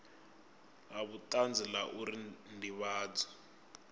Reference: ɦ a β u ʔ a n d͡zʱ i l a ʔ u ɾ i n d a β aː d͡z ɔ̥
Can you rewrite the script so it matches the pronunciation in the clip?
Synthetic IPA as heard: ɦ a β u t a n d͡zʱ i l a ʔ u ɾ i n d i β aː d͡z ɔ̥

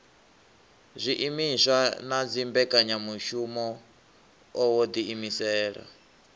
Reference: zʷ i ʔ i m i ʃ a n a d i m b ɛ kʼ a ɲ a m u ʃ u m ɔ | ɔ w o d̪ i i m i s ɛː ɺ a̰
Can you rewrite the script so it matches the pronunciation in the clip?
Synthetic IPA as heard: zʷ i ʔ i m i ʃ a n a d͡z i m b ɛ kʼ a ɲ a m u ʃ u m ɔ | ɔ w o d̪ i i m i s ɛː ɺ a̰

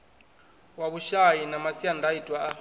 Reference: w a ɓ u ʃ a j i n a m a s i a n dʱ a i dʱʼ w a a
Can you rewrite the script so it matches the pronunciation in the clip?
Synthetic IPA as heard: w a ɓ u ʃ a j i n a m a s i a n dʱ a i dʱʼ w a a

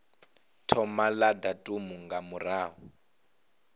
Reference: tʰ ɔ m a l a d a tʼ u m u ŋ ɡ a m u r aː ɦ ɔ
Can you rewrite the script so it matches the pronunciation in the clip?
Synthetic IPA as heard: tʰ ɔ m a l a d a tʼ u m u ŋ ɡ a m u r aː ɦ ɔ

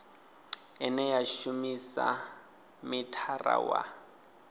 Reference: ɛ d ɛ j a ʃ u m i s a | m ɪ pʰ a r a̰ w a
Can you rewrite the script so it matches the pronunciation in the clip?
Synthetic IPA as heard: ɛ n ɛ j a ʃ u m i s a | m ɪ tʰ a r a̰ w a

